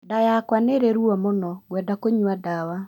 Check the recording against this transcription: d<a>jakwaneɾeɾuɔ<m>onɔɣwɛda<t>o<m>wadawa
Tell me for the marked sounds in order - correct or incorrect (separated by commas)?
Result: correct, correct, incorrect, incorrect